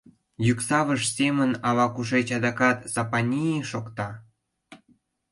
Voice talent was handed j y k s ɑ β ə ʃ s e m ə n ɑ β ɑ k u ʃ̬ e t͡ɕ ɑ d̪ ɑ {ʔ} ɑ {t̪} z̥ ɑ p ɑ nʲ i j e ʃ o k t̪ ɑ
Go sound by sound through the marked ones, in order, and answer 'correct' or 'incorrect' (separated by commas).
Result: incorrect, correct